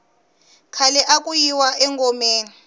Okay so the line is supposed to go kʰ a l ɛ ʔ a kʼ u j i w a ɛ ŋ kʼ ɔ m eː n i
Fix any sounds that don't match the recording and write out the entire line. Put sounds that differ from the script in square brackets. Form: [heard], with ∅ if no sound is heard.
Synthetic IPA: kʰ a l ɛ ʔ a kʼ u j i w a ɛ ŋ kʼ ɔ m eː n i